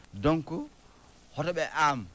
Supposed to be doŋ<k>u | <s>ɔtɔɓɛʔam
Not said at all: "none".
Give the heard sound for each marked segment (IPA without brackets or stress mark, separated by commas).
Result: k, h